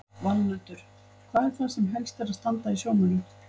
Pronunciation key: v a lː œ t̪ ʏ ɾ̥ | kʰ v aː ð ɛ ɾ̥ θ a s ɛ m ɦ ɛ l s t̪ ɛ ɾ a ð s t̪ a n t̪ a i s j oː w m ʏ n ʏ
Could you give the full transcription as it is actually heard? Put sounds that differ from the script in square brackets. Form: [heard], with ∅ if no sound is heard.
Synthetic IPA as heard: v a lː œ t̪ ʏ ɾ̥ | kʰ v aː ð ɛ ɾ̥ θ a s ɛ m ɦ ɛ l s t̪ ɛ ɾ a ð s t̪ a n t̪ a i s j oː w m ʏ n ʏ